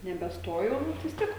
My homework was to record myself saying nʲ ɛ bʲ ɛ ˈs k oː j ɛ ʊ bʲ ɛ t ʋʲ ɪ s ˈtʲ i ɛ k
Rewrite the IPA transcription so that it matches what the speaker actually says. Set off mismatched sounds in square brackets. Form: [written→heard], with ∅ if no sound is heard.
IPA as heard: nʲ ɛ bʲ ɛ ˈs [k→t] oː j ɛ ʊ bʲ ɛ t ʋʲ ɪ s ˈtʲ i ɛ k